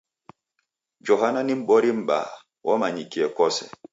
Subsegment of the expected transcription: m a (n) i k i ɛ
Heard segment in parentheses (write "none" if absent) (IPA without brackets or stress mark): ɲ